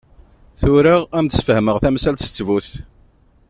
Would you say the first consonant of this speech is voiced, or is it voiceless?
voiceless